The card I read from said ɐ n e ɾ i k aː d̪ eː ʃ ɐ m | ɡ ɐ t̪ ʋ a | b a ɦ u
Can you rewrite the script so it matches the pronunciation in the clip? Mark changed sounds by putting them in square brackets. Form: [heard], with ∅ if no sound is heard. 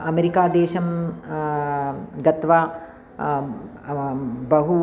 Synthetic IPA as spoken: ɐ [m] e ɾ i k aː d̪ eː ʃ ɐ m | ɡ ɐ t̪ ʋ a | b [ɐ] ɦ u